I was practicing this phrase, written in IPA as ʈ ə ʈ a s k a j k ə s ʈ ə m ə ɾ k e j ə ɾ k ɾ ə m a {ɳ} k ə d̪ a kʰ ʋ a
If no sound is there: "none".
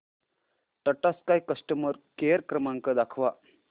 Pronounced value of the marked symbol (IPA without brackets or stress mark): ŋ